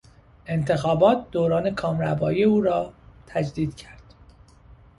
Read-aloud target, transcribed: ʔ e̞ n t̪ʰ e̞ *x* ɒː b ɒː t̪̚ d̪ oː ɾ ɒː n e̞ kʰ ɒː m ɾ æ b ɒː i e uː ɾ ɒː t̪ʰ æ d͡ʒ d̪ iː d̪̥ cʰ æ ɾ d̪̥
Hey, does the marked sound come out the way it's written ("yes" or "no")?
yes